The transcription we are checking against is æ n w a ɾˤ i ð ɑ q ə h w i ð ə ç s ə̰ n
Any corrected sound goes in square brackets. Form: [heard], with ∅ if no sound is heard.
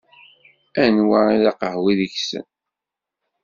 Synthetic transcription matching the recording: æ n w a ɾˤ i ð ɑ q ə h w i ð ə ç s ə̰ n